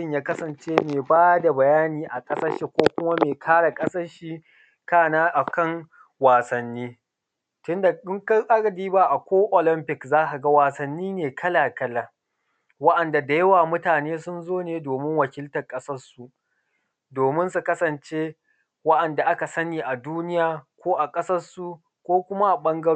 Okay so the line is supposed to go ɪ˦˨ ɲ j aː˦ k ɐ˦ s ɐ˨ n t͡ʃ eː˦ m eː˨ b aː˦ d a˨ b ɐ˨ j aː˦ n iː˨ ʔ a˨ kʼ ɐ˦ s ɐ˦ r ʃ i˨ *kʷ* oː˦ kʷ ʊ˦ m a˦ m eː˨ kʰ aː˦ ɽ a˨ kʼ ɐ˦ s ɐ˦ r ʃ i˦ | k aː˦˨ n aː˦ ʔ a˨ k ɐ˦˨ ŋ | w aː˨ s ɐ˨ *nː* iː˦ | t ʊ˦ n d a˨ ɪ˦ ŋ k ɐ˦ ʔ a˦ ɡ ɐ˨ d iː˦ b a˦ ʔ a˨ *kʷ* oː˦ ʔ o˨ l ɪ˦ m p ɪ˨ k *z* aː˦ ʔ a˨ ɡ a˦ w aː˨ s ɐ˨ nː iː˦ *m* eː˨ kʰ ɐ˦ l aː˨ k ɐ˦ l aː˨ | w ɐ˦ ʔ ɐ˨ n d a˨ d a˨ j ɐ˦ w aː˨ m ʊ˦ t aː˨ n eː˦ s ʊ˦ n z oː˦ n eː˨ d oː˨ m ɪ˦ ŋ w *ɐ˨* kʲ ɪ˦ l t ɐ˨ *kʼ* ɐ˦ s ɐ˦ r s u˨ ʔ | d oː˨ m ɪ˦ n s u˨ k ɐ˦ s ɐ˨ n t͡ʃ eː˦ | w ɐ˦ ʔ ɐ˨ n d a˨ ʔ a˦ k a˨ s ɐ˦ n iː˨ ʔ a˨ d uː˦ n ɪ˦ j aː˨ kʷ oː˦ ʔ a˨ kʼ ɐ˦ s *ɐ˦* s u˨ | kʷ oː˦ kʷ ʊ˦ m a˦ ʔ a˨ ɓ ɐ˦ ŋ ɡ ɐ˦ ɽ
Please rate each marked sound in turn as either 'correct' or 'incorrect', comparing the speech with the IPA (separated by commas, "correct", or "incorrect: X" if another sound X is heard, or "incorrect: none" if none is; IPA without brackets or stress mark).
correct, correct, correct, correct, incorrect: n, correct, correct, correct